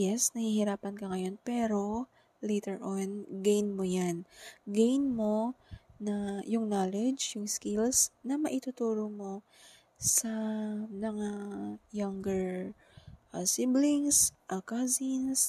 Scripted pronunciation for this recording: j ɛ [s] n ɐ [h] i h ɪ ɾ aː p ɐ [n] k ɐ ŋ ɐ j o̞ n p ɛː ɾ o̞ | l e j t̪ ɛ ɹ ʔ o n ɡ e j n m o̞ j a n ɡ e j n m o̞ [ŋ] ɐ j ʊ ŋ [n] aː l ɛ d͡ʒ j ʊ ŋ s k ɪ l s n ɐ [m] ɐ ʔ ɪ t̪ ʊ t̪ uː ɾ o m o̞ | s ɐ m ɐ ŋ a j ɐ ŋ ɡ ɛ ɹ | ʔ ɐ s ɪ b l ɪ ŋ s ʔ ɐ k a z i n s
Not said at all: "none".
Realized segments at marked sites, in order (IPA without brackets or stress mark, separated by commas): s, h, n, n, n, m